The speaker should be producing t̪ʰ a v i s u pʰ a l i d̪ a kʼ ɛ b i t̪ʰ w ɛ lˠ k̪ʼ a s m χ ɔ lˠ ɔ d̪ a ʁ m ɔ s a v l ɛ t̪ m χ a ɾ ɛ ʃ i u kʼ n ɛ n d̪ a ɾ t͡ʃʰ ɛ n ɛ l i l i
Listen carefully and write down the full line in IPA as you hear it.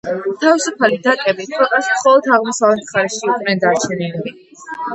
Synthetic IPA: t̪ʰ a v i s u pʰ a l i d̪ a kʼ ɛ b i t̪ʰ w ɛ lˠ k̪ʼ a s m χ ɔ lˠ ɔ d̪ a ʁ m ɔ s a v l ɛ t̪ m χ a ɾ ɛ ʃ i u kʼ n ɛ n d̪ a ɾ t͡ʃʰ ɛ n i l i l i